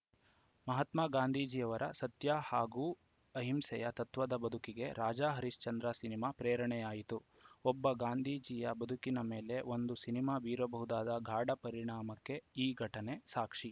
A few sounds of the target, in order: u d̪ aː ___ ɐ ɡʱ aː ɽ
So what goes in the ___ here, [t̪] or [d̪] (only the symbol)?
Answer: d̪